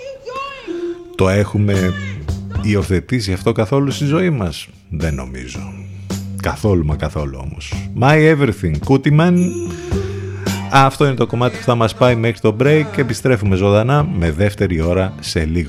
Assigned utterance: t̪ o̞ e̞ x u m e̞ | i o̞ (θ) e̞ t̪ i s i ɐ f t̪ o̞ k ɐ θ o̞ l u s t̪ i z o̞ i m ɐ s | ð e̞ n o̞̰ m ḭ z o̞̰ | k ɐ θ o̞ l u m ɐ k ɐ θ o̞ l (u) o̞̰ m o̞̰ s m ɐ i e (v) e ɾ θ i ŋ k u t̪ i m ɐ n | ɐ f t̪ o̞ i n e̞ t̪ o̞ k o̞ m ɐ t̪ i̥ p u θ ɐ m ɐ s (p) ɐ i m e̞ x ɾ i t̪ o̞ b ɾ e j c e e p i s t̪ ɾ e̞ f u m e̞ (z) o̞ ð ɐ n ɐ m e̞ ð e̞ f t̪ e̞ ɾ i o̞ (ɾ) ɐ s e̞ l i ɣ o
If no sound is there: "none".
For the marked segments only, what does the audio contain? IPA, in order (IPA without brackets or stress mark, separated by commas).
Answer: θ, u, v, p, z, ɾ